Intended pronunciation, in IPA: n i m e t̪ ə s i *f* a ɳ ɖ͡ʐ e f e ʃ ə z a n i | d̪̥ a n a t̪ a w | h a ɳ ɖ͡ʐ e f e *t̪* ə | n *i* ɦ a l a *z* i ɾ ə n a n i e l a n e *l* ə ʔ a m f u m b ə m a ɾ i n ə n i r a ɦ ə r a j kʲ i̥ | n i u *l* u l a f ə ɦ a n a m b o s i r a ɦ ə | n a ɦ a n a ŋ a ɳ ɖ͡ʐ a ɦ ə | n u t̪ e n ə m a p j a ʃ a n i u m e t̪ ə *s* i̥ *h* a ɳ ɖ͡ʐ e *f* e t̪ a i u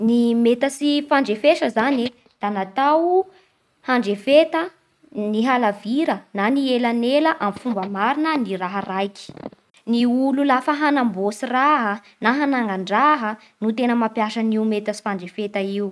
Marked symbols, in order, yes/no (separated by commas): yes, yes, yes, no, yes, yes, yes, no, yes